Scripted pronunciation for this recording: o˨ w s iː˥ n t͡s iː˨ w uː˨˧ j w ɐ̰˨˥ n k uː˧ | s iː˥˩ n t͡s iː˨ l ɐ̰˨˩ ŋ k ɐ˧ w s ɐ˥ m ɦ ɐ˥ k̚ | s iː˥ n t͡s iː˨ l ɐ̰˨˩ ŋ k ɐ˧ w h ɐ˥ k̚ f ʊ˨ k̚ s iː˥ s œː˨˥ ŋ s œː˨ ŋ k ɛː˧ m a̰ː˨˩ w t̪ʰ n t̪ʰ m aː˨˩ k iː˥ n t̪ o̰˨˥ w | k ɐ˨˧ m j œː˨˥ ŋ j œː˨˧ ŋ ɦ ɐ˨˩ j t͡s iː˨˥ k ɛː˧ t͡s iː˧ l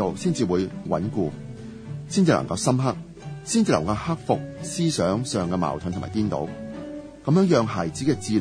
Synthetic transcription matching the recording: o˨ w s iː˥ n t͡s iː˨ w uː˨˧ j w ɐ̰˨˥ n k uː˧ | s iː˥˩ n t͡s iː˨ l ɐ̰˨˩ ŋ k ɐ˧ w s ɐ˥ m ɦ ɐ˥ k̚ | s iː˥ n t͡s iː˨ l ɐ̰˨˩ ŋ k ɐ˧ w h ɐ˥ k̚ f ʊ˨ k̚ s iː˥ s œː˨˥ ŋ s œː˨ ŋ k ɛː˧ m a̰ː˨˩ w t̪ʰ n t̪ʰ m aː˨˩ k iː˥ n t̪ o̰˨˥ w | k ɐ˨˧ m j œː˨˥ ŋ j œː˨˧ ŋ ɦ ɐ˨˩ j t͡s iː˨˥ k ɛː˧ t͡s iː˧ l